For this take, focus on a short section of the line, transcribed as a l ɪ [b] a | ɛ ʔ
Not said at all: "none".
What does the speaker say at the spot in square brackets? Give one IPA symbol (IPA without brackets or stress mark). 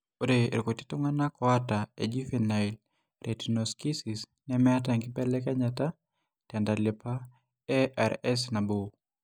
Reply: p